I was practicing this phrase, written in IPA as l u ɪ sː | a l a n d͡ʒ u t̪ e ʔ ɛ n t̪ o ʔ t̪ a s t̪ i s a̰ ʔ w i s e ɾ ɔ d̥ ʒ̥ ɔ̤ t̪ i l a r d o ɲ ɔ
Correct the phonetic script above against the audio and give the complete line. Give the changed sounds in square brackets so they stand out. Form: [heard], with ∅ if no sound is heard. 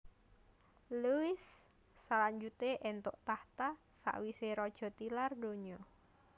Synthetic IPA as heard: l u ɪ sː | a l a [ɲ] d͡ʒ u t̪ e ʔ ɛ n t̪ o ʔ t̪ a [h] t̪ [a] s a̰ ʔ w i s e ɾ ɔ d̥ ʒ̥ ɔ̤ t̪ i l a r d o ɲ ɔ